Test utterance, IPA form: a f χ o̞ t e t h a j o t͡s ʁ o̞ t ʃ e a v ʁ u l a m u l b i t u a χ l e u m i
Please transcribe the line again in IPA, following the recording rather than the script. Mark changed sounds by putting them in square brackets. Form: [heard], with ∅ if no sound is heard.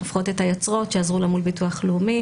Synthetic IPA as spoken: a f χ o̞ t e t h a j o t͡s ʁ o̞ t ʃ e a [z] ʁ u l a m u l b i t u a χ l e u m i